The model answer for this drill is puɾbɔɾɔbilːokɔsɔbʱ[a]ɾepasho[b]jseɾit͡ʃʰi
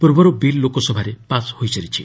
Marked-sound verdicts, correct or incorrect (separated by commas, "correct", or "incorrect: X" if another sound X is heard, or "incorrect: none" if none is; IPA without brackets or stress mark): correct, incorrect: none